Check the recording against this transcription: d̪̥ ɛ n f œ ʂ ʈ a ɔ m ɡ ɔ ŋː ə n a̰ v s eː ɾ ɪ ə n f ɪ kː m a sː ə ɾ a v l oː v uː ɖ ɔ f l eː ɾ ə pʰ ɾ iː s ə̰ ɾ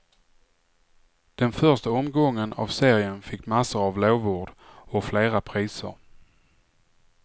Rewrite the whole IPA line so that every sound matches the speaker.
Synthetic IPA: d̪̥ ɛ n f œ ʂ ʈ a ɔ m ɡ ɔ ŋː ə n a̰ v s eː ɾ ɪ ə n f ɪ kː m a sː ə ɾ a v l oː v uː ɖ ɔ f l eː ɾ a pʰ ɾ iː s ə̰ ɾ